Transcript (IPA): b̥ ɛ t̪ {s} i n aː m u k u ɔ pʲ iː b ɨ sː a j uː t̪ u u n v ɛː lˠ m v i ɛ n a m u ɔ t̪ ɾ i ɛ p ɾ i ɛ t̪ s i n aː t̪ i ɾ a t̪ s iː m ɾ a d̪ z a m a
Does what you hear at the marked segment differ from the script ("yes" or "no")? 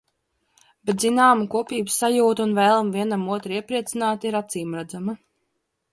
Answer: yes